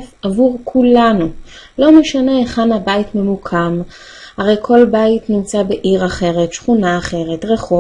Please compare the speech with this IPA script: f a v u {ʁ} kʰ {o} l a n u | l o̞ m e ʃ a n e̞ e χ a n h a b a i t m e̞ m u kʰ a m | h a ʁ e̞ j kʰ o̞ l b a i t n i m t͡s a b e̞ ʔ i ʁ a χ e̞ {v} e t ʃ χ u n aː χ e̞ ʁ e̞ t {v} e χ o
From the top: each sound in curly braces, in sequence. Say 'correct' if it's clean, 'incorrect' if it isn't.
correct, incorrect: u, incorrect: ʁ, incorrect: ʁ

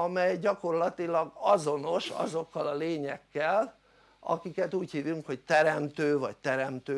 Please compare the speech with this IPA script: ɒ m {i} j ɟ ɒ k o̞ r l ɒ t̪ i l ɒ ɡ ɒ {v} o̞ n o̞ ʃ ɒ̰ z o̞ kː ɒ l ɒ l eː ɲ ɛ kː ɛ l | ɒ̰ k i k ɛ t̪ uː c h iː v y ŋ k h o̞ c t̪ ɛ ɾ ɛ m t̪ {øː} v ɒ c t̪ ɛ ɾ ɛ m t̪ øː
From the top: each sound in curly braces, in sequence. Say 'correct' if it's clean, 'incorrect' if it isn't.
incorrect: ɛ, incorrect: z, correct

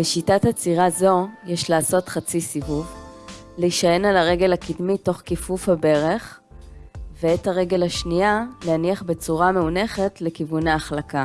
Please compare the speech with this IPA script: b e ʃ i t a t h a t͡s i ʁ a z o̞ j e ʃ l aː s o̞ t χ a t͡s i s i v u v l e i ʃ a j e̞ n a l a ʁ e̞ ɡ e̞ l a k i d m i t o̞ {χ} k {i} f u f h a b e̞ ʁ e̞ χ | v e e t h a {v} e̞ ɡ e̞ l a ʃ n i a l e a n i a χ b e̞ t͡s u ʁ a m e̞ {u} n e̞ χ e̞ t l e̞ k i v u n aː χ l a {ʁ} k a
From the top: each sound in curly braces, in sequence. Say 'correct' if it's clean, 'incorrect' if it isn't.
correct, correct, incorrect: ʁ, correct, incorrect: none

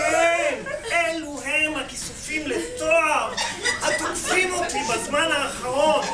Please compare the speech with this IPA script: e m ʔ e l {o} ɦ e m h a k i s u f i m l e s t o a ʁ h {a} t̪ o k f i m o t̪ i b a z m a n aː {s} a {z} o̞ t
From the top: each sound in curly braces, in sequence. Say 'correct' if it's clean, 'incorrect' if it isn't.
incorrect: u, correct, incorrect: χ, incorrect: ʁ

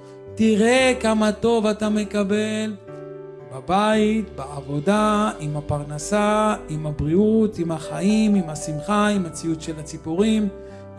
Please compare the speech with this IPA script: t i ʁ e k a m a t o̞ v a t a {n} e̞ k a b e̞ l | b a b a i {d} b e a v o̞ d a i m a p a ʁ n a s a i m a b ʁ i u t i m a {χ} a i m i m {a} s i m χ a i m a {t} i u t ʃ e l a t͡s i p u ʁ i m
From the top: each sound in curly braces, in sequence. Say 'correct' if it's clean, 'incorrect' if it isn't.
incorrect: m, incorrect: t, correct, correct, incorrect: t͡s

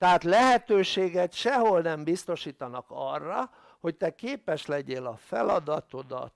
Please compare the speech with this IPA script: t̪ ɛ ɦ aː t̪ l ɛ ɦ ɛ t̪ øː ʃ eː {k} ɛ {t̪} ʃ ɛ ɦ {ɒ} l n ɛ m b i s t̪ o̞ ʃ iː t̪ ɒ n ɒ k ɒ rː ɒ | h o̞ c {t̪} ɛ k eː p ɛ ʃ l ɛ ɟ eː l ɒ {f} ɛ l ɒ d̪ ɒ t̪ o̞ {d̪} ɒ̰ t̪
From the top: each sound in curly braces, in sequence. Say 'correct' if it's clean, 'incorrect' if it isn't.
incorrect: ɡ, correct, incorrect: o, correct, correct, correct

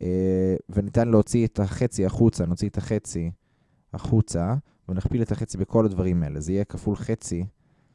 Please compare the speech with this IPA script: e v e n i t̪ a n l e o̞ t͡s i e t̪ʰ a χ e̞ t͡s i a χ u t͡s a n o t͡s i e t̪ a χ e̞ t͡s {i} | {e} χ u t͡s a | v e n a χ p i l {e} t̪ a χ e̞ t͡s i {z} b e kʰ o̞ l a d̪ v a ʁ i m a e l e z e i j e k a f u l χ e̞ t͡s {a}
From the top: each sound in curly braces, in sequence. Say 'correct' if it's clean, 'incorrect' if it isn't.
correct, incorrect: a, correct, incorrect: none, incorrect: i

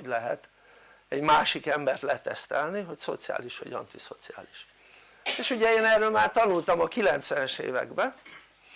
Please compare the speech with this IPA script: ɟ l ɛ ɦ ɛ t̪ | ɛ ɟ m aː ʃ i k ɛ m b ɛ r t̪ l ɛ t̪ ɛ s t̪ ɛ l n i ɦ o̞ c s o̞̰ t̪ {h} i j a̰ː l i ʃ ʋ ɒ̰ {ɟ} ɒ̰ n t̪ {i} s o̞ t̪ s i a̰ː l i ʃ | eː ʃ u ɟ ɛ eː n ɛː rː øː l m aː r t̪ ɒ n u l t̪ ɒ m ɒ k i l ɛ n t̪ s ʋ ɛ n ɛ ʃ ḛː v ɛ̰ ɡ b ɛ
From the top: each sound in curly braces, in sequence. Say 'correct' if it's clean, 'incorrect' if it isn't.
incorrect: s, correct, correct

